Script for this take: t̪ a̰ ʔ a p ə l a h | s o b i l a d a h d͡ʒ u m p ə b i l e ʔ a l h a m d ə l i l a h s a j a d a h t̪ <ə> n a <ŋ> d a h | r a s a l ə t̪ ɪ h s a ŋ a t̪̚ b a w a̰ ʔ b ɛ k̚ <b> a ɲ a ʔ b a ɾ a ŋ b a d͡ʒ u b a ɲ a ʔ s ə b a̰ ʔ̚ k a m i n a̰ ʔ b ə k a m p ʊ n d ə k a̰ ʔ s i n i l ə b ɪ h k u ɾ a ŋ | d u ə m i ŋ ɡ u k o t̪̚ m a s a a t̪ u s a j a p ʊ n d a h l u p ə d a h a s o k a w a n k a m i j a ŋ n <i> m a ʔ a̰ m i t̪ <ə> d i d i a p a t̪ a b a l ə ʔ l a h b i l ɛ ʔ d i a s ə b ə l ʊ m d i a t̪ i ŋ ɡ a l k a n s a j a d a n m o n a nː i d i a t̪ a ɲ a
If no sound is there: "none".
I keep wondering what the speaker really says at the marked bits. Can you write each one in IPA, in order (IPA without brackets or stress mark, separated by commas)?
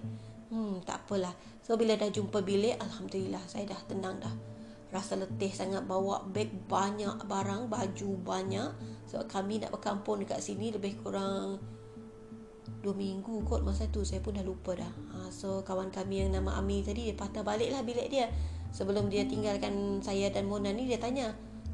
ə, ŋ, b, a, a